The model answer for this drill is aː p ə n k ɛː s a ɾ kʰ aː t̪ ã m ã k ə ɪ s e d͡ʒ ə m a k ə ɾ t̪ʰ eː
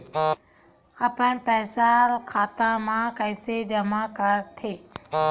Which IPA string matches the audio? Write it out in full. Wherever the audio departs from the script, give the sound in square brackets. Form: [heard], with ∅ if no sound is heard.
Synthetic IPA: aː p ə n [p] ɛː s a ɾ kʰ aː t̪ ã m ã k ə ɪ s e d͡ʒ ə m a k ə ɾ t̪ʰ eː

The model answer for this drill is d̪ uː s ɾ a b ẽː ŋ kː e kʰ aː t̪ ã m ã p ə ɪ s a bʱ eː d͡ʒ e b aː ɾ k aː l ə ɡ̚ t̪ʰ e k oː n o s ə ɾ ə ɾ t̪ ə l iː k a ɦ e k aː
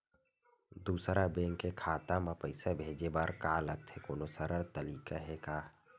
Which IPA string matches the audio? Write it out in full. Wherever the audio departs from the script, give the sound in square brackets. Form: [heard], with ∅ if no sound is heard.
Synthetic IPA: d̪ uː s ɾ a b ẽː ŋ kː e kʰ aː t̪ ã m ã p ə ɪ s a bʱ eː d͡ʒ e b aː ɾ k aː l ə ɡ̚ t̪ʰ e k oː n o s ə ɾ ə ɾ t̪ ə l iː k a ɦ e k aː

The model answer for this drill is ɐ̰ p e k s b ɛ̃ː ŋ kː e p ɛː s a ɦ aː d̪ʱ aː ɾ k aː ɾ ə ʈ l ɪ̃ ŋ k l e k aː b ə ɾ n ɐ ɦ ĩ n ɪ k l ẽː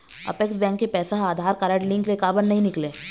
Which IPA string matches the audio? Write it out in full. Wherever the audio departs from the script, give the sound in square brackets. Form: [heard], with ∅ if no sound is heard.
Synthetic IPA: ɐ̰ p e k s b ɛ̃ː ŋ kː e p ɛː s a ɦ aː d̪ʱ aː ɾ k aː ɾ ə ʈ l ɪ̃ ŋ k l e k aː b ə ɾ n ɐ ɦ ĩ n ɪ k l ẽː

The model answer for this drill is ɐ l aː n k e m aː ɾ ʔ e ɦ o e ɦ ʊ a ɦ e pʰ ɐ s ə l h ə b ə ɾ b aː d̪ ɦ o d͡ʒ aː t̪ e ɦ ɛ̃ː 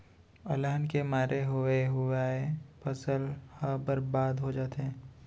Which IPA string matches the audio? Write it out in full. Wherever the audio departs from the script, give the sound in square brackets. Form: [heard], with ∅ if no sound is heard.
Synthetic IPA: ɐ l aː n k e m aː ɾ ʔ e ɦ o e ɦ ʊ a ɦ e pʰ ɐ s ə l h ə b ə ɾ b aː d̪ ɦ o d͡ʒ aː t̪ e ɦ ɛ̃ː

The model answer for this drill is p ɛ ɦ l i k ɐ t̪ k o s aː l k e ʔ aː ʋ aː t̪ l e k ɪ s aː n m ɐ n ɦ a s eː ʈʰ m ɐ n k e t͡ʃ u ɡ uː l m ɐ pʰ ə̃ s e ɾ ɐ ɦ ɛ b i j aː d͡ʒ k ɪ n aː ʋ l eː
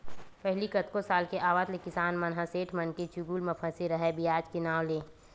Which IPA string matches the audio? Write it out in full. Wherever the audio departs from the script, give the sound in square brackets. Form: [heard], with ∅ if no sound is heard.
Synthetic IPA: p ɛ ɦ l i k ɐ t̪ k o s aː l k e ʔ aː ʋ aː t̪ l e k ɪ s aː n m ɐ n ɦ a s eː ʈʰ m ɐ n k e t͡ʃ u ɡ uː l m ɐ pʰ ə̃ s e ɾ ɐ ɦ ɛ b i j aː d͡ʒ k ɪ n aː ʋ l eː

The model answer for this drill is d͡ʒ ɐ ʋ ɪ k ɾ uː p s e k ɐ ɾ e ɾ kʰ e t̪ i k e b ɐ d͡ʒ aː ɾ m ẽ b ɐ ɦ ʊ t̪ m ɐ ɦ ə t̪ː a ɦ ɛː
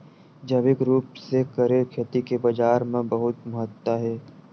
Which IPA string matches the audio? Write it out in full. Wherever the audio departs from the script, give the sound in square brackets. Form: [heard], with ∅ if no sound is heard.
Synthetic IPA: d͡ʒ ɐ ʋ ɪ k ɾ uː p s e k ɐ ɾ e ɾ kʰ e t̪ i k e b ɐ d͡ʒ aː ɾ m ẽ b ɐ ɦ ʊ t̪ m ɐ ɦ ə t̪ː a ɦ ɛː

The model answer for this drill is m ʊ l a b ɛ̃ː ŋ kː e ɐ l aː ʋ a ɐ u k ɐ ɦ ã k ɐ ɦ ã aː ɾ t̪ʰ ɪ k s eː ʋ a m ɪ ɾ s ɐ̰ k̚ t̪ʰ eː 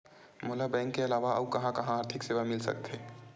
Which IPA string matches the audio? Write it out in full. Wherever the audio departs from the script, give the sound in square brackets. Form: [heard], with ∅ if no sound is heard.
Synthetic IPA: m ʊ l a b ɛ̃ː ŋ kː e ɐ l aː ʋ a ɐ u k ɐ ɦ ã k ɐ ɦ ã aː ɾ t̪ʰ ɪ k s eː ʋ a m ɪ [l] s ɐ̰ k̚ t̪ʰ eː

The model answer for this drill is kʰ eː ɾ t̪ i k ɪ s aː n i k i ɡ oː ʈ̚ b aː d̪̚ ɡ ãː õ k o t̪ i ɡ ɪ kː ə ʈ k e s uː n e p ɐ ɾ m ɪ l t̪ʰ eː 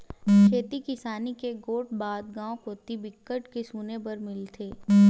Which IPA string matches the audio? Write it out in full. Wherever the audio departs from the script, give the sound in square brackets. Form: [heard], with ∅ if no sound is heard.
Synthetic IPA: kʰ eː [∅] t̪ i k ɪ s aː n i k [e] ɡ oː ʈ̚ b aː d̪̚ ɡ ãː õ k o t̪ i [b] ɪ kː ə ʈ k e s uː n e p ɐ ɾ m ɪ l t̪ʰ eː

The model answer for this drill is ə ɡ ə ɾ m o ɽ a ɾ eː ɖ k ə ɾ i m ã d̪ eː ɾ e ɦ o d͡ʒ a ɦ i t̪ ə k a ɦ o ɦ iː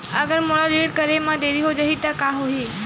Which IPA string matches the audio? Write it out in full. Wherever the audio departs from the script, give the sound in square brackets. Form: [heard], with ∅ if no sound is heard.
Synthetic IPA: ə ɡ ə ɾ m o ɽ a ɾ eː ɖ k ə ɾ [e] m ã d̪ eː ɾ [i] ɦ o d͡ʒ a ɦ i t̪ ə k a ɦ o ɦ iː

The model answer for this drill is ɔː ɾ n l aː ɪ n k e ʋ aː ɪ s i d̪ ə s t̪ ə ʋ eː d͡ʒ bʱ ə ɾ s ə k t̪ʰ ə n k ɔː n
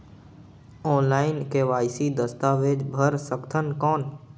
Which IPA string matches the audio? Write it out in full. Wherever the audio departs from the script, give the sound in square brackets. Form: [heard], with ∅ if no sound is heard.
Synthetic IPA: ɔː [∅] n l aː ɪ n k e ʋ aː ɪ s i d̪ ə s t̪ [a] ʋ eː d͡ʒ bʱ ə ɾ s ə k t̪ʰ ə n k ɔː n

